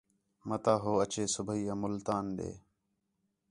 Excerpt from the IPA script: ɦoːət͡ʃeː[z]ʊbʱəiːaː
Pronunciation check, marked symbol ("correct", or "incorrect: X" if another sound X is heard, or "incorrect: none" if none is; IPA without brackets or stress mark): incorrect: s